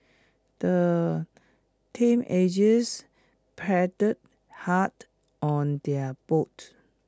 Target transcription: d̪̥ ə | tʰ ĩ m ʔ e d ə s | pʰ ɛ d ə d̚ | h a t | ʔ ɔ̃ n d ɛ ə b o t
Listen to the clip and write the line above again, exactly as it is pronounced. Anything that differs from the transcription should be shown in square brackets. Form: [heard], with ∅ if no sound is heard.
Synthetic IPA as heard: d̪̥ ə | tʰ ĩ m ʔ e [d͡ʒ] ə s | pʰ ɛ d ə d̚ | h a t | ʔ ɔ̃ n d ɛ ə b o t